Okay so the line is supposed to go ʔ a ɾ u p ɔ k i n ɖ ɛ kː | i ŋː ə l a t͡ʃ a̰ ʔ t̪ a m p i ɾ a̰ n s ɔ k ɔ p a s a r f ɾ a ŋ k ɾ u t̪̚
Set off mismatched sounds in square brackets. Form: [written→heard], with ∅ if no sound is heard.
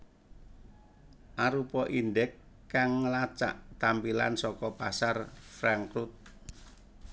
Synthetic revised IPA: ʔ a ɾ u p ɔ [k→ʔ] i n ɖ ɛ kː | [i→a] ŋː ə l a t͡ʃ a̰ ʔ t̪ a m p i [ɾ→l] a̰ n s ɔ k ɔ p a s a r f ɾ a ŋ k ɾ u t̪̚